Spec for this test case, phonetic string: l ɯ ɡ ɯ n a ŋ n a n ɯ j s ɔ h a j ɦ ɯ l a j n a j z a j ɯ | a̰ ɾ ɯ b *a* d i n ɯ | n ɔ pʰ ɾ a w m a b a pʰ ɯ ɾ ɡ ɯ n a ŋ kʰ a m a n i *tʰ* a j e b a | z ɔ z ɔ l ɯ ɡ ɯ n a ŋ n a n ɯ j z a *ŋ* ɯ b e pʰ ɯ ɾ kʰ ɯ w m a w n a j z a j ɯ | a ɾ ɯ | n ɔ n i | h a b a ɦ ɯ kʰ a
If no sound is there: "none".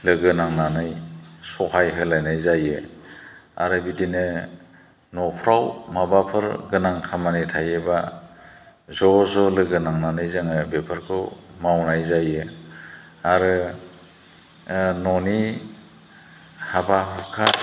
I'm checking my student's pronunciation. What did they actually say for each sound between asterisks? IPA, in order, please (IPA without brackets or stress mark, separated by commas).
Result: i, tʰ, ŋ